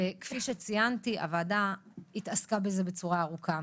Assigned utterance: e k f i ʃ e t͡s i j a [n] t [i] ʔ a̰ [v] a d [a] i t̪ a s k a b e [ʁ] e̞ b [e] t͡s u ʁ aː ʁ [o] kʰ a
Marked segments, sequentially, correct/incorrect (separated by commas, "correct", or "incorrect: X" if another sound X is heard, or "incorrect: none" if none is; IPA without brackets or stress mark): correct, correct, correct, correct, incorrect: z, correct, incorrect: u